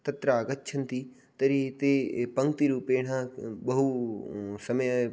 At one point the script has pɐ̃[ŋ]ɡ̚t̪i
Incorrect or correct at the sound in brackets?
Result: correct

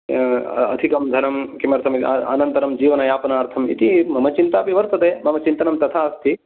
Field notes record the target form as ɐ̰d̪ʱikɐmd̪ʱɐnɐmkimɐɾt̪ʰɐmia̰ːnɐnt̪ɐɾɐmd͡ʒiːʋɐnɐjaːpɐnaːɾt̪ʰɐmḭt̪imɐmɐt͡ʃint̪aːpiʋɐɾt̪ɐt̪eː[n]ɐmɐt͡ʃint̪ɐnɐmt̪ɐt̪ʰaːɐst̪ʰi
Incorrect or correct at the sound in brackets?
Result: incorrect: m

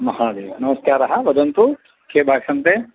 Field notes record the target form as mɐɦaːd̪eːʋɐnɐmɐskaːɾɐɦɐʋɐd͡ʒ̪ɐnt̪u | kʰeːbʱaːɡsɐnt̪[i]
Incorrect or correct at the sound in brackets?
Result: incorrect: e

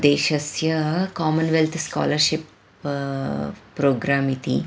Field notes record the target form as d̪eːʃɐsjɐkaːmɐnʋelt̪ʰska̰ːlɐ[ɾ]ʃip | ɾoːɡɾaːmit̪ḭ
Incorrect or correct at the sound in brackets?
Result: correct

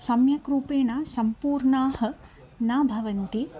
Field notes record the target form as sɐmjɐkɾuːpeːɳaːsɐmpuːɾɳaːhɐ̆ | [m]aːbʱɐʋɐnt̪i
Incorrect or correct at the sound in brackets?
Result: incorrect: n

